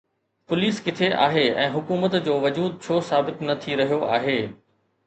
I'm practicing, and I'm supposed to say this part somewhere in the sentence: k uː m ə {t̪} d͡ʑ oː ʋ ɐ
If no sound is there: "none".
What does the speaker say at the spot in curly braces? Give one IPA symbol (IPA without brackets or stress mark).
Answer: t̪